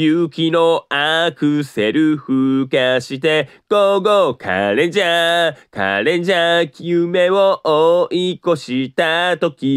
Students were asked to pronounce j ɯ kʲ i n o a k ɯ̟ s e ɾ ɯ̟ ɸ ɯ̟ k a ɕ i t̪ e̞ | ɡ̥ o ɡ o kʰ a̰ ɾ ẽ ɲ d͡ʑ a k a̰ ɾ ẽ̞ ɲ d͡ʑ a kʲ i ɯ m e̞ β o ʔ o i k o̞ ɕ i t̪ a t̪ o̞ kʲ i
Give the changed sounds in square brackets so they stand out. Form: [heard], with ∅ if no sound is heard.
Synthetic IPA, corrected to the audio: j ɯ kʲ i n o a k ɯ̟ s e ɾ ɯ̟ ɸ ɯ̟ k a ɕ i t̪ e̞ | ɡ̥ o ɡ o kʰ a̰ ɾ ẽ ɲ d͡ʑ a k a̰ ɾ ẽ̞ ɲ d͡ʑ a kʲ i ɯ m e̞ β o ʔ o i k o̞ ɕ i t̪ a t̪ o̞ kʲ i